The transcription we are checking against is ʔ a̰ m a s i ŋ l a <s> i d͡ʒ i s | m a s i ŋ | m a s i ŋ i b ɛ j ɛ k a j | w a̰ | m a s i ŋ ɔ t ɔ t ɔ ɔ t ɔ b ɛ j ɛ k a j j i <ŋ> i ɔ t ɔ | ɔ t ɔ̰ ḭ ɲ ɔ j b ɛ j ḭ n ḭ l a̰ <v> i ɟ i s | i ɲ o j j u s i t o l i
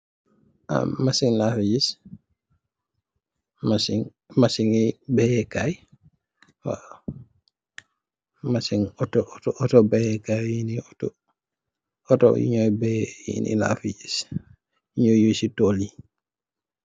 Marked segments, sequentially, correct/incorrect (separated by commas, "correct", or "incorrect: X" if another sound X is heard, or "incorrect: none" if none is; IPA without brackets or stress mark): incorrect: f, incorrect: n, incorrect: f